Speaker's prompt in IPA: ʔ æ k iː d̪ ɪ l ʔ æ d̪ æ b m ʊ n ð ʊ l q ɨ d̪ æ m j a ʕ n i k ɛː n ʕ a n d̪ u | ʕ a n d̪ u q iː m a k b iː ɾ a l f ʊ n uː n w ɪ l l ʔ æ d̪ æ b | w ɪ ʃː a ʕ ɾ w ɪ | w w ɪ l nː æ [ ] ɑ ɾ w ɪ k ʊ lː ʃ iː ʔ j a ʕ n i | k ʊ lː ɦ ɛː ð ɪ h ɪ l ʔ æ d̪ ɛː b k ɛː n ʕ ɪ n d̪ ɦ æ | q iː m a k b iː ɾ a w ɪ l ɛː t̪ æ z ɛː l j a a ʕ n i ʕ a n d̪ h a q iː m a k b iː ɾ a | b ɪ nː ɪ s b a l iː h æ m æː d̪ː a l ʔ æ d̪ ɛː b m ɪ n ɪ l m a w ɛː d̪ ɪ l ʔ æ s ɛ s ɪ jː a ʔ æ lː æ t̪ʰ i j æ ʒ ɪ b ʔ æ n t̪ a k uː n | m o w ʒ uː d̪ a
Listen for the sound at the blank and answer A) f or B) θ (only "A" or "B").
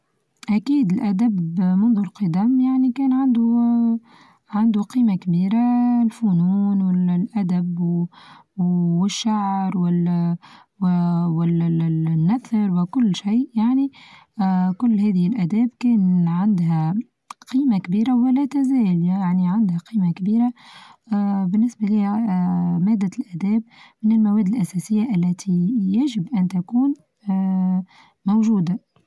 B